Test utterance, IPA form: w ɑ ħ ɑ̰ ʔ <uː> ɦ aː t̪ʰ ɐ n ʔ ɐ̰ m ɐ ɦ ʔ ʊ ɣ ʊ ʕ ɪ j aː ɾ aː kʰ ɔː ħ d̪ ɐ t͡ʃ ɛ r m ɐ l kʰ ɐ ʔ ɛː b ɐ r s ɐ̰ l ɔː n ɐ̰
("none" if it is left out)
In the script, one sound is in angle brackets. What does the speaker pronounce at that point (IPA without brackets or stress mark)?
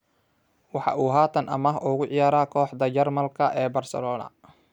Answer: uː